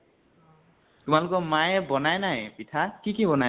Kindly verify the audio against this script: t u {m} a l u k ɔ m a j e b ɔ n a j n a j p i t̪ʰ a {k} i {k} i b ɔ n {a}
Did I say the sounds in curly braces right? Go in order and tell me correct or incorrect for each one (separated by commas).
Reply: correct, correct, correct, correct